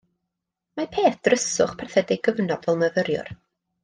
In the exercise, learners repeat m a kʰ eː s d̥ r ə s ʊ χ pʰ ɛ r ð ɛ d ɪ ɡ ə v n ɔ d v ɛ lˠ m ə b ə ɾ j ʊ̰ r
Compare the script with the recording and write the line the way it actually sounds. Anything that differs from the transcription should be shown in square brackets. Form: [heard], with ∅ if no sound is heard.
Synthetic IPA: m a [pʰ] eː [θ] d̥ r ə s ʊ χ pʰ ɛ r [θ] ɛ d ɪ ɡ ə v n ɔ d v ɛ lˠ m ə [v] ə ɾ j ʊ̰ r